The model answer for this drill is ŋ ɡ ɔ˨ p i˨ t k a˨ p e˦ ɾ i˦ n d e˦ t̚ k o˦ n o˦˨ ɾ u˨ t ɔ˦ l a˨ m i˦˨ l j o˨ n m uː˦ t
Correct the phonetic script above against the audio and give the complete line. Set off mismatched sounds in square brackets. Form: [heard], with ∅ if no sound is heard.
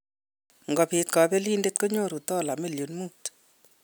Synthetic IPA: ŋ ɡ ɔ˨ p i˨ t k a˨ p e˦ [l] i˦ n d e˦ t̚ k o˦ [ɲ] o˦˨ ɾ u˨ t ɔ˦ l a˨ m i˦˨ l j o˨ n m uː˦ t